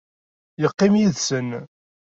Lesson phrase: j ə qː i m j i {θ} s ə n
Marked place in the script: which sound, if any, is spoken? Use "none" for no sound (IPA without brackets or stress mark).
ð